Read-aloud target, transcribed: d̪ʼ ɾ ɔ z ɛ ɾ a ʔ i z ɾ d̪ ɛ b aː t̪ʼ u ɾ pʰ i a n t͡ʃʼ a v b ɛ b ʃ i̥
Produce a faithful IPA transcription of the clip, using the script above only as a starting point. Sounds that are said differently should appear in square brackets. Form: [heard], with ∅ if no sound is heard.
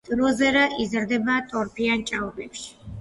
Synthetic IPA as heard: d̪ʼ ɾ ɔ z ɛ ɾ a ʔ i z ɾ d̪ ɛ b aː t̪ʼ [ɔ] ɾ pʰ i a n t͡ʃʼ a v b ɛ [p] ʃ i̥